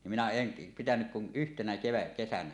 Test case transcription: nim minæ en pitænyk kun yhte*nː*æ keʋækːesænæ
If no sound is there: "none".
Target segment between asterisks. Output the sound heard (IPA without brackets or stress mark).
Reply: n